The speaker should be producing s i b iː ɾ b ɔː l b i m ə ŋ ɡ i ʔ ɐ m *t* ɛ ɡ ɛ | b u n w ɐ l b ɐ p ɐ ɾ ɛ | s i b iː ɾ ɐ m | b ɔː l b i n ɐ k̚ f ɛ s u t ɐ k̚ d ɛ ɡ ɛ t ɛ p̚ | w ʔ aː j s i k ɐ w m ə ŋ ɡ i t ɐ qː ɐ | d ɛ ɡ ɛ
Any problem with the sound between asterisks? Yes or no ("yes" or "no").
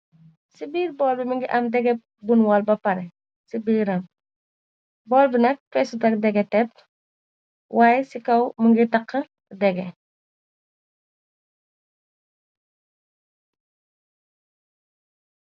yes